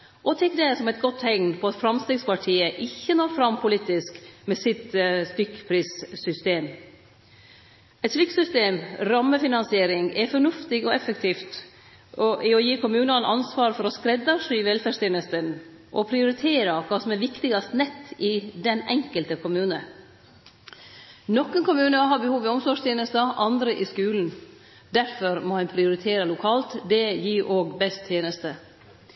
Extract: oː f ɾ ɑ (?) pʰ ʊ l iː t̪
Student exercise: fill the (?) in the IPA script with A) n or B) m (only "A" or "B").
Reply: B